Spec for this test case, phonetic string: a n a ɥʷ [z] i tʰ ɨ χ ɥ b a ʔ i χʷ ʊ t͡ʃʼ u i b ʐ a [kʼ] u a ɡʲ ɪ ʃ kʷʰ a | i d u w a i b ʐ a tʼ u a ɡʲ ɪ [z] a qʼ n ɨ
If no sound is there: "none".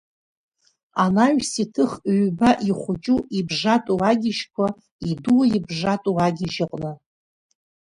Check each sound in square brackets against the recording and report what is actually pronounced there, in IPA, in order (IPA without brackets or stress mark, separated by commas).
s, tʼ, ʒ